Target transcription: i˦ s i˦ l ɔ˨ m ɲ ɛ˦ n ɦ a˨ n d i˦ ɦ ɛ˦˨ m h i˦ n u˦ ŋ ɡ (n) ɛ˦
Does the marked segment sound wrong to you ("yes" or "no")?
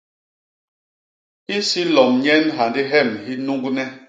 no